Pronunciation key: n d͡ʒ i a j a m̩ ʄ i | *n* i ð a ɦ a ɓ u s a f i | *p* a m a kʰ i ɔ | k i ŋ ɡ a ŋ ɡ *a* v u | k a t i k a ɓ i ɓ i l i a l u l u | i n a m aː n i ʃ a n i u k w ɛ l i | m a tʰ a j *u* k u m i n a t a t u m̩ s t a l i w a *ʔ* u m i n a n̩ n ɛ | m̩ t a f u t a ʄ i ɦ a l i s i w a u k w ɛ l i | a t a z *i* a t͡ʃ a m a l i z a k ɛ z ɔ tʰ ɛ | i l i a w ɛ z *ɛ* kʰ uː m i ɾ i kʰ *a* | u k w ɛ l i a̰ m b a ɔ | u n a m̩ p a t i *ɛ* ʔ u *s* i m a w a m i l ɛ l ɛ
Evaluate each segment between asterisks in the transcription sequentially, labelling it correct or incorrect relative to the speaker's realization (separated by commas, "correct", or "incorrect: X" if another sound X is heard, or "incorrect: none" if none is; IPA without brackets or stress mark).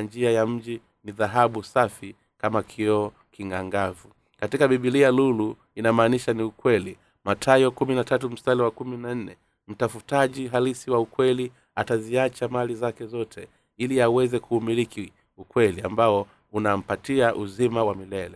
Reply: correct, incorrect: k, correct, incorrect: ɔ, incorrect: k, correct, correct, incorrect: i, incorrect: a, incorrect: z